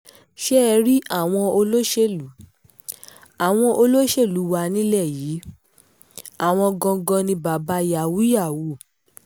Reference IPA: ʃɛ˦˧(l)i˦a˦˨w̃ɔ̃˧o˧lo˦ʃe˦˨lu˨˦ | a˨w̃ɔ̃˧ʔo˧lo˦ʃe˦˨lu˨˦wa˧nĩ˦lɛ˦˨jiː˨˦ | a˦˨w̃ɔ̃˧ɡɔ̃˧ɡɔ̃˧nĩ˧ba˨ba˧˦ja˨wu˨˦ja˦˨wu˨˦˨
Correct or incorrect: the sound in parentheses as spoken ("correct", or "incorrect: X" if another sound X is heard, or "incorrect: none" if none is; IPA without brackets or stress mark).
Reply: incorrect: ɾ